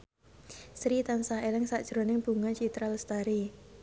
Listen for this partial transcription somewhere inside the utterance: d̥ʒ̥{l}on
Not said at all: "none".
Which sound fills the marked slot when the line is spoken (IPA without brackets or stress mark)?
ɾ